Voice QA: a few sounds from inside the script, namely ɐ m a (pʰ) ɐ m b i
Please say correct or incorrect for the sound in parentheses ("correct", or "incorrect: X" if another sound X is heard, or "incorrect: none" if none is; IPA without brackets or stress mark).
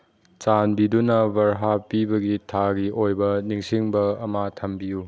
incorrect: tʰ